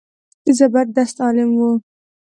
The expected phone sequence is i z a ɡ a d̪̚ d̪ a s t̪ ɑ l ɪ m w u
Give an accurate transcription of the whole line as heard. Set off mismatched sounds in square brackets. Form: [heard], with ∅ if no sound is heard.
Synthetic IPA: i z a [b] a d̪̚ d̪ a s t̪ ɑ l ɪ m w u